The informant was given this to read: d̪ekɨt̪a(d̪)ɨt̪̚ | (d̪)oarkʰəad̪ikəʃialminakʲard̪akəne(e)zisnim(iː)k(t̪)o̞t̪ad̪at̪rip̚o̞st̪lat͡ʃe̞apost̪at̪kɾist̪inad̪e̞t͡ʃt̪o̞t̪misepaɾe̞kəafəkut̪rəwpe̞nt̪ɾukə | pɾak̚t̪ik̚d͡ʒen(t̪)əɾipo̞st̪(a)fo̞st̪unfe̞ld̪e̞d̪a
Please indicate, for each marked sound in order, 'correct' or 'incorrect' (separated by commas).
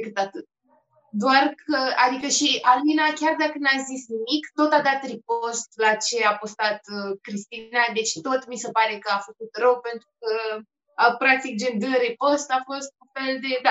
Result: incorrect, correct, incorrect, incorrect, correct, incorrect, correct